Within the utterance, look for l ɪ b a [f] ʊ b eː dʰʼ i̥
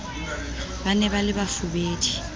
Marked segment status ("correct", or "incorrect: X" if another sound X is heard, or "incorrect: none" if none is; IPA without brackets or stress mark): correct